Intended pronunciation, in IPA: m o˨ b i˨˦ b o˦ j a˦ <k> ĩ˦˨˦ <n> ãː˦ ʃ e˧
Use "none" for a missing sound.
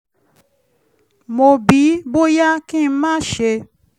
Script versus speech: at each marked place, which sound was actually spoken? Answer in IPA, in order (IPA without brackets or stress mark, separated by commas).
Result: k, m